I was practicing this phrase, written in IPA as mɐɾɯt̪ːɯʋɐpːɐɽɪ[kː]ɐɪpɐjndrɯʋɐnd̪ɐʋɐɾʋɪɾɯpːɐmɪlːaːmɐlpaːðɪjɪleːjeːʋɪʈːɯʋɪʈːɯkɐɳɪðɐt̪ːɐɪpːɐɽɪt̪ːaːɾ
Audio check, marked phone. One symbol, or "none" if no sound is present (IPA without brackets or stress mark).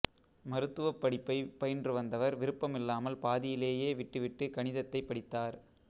pː